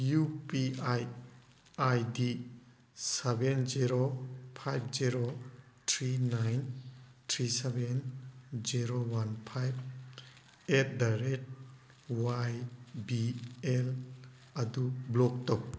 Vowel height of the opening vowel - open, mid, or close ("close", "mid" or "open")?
close